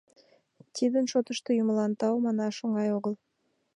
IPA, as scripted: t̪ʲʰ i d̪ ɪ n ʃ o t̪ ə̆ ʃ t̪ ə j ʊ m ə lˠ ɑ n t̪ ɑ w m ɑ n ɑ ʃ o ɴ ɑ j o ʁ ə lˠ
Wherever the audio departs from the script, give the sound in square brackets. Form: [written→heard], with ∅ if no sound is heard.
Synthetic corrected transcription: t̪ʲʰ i d̪ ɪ n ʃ o t̪ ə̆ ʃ t̪ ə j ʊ m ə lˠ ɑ n t̪ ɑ w m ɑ n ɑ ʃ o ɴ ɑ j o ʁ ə lˠ